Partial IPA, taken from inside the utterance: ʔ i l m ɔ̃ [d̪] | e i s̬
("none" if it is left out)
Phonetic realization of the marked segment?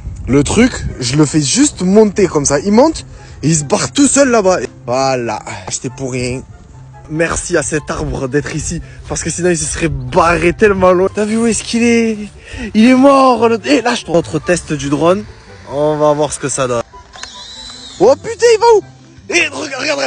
t̪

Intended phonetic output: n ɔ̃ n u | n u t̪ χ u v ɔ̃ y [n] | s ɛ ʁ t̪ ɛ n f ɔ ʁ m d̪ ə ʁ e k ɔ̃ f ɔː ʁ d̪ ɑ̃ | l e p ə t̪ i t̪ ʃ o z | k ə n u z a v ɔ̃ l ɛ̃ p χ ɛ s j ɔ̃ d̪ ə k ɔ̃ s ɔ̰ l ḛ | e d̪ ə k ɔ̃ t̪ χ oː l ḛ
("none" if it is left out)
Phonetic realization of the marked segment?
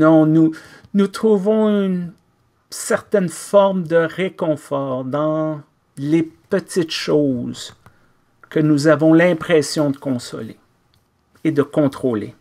n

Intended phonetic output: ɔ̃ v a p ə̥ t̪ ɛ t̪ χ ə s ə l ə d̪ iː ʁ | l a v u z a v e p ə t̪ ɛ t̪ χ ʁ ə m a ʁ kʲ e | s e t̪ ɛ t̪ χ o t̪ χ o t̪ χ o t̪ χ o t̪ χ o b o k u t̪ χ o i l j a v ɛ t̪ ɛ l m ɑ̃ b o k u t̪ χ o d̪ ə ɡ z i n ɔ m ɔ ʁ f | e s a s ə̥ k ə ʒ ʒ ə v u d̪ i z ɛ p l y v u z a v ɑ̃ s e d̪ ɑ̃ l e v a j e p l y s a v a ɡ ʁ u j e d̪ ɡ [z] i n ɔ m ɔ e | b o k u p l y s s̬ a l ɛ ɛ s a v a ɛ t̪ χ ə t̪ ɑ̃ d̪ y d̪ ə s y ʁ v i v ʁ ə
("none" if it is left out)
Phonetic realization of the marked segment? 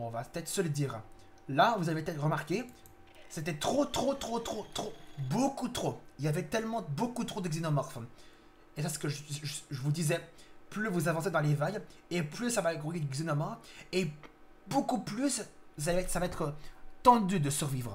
z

